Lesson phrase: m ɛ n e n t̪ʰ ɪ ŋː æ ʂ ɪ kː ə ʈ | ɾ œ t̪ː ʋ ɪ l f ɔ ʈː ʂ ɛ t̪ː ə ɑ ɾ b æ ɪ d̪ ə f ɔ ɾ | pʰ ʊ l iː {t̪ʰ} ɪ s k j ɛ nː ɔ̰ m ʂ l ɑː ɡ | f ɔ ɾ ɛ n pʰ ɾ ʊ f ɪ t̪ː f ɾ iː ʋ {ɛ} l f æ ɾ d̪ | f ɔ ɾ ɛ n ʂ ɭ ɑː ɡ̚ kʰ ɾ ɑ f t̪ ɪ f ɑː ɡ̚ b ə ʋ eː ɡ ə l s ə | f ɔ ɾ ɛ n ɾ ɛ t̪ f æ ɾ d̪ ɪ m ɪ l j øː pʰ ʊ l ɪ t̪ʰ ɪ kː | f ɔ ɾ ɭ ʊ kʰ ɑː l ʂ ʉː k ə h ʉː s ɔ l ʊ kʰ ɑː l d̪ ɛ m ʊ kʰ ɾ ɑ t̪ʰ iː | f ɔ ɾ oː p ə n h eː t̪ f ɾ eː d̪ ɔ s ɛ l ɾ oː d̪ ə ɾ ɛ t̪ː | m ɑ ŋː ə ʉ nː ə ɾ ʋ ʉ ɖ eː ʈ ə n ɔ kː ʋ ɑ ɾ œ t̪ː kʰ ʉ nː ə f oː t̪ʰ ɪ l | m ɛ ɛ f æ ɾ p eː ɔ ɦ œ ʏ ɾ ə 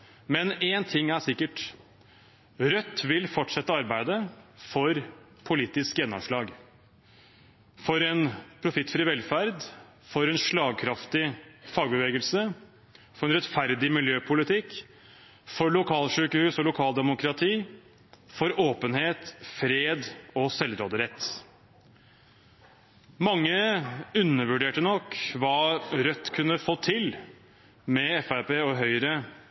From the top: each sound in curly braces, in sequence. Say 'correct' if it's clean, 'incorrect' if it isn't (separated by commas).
incorrect, correct